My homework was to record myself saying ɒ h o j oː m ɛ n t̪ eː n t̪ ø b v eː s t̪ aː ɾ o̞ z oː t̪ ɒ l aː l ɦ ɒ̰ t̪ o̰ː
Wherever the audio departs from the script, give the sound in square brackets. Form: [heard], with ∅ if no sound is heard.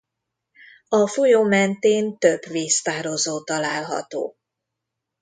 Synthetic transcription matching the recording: ɒ [f] o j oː m ɛ n t̪ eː n t̪ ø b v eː s t̪ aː ɾ o̞ z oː t̪ ɒ l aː l ɦ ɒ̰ t̪ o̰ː